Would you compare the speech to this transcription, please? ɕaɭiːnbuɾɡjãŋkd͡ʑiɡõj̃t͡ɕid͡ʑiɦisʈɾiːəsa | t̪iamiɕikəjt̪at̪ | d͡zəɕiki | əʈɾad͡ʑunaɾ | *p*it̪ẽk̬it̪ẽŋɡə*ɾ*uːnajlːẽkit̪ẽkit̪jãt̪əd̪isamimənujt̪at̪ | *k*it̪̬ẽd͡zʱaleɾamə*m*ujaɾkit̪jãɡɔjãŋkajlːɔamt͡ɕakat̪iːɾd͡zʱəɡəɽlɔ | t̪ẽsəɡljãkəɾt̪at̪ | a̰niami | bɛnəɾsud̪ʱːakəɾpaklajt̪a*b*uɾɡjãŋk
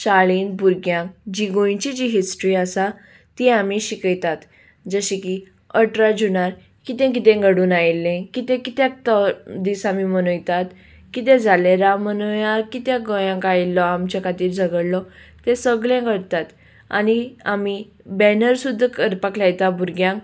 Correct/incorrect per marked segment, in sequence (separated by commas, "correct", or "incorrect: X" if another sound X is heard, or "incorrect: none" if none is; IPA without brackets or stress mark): incorrect: k, incorrect: ɽ, correct, incorrect: n, correct